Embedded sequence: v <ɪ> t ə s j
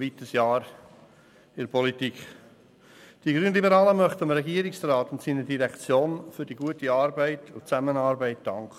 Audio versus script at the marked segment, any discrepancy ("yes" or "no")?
yes